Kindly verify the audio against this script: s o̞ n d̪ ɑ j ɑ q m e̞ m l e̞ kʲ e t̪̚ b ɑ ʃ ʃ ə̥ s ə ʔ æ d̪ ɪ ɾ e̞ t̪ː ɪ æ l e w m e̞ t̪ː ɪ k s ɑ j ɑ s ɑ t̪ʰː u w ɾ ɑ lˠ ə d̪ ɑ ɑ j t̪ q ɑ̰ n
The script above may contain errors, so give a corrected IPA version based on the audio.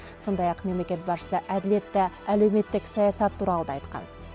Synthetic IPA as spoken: s o̞ n d̪ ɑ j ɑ q m e̞ m l e̞ kʲ e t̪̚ b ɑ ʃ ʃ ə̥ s ə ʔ æ d̪ ɪ l e̞ t̪ː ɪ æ l e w m e̞ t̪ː ɪ k s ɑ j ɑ s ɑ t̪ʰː u ɾ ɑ lˠ ə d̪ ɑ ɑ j t̪ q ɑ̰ n